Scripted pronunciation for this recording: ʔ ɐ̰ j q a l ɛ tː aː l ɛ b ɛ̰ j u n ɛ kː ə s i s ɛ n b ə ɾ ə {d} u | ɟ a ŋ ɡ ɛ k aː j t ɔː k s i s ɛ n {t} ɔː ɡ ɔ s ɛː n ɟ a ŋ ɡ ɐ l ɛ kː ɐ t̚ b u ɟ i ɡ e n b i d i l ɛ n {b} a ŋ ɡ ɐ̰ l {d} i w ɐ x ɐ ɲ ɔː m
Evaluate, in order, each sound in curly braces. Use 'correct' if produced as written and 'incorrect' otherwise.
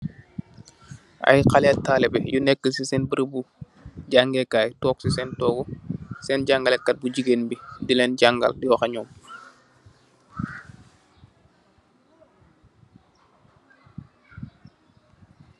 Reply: incorrect: b, correct, incorrect: ɟ, correct

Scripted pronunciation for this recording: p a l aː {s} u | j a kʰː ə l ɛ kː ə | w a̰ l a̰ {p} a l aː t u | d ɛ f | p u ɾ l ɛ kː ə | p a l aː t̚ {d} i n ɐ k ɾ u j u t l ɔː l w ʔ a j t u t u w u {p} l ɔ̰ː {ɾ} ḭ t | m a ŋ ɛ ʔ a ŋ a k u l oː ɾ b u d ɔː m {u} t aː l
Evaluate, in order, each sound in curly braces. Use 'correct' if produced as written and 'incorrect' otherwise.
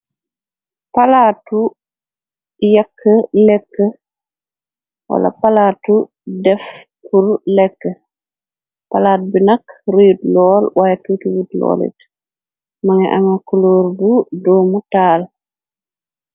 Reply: incorrect: t, correct, incorrect: b, incorrect: t, incorrect: l, correct

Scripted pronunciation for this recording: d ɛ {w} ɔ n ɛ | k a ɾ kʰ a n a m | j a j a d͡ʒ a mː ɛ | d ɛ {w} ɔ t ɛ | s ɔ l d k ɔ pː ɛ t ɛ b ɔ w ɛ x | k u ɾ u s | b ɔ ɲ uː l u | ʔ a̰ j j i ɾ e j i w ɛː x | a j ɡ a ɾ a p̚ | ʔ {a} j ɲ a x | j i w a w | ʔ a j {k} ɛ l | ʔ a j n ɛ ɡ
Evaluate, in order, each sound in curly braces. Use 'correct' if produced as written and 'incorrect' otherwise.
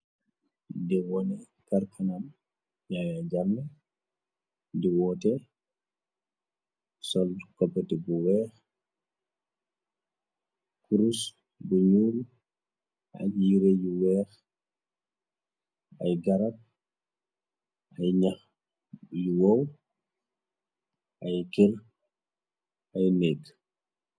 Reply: correct, correct, correct, correct

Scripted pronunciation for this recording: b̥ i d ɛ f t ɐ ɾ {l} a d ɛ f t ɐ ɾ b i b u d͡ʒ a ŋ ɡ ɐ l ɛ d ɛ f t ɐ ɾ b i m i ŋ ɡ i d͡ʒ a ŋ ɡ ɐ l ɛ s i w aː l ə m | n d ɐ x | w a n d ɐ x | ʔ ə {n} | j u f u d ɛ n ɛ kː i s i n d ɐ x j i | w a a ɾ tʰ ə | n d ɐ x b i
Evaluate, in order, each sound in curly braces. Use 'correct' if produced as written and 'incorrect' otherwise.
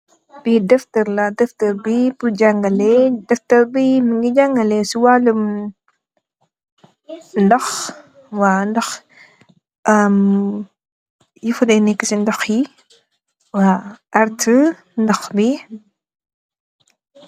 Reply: correct, incorrect: m

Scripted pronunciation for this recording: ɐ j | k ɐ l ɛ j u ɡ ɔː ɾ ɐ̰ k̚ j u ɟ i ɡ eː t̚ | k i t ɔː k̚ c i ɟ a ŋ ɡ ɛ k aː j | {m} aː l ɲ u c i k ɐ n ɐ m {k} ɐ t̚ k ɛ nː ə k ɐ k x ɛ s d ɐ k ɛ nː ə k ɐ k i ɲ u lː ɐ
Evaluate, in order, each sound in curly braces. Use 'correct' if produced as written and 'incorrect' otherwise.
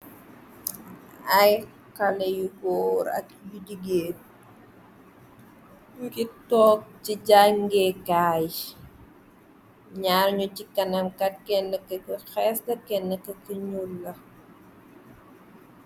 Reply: incorrect: ɲ, correct

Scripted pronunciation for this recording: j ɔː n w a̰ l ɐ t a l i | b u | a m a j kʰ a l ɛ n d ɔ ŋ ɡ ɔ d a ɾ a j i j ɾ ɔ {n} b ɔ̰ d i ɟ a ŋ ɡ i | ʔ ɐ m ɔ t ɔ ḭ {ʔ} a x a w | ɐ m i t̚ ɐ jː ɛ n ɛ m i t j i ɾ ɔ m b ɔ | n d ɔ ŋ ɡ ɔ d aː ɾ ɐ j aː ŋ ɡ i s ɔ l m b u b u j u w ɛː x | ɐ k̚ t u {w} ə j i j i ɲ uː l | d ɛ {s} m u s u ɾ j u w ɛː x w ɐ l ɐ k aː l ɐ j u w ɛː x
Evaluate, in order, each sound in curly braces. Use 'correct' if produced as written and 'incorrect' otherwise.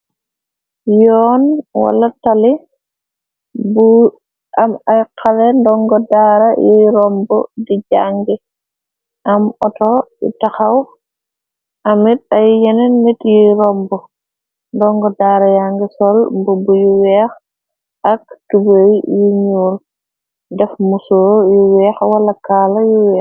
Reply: incorrect: m, incorrect: t, incorrect: b, incorrect: f

